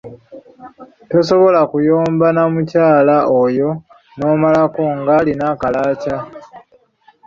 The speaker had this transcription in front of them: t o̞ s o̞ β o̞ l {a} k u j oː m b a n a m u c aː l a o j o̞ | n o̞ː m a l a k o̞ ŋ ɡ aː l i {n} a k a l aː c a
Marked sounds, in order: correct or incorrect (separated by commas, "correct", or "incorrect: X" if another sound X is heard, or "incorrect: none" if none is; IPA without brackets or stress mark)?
correct, correct